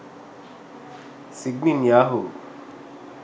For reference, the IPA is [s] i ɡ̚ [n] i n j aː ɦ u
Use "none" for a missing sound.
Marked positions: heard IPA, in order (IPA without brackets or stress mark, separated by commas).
s, n